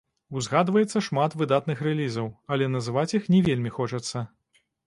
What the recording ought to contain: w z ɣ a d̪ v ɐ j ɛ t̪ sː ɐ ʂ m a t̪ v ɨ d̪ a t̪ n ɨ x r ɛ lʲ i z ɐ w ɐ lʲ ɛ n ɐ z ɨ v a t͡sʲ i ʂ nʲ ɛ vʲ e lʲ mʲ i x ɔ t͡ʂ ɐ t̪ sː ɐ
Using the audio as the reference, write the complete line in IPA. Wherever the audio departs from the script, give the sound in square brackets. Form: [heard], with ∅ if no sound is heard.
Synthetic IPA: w z ɣ a d̪ v ɐ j ɛ t̪ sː ɐ ʂ m a t̪ v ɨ d̪ a t̪ n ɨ x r ɛ lʲ i z ɐ w ɐ lʲ ɛ n ɐ z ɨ v a t͡sʲ i [x] nʲ ɛ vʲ e lʲ mʲ i x ɔ t͡ʂ ɐ t̪ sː ɐ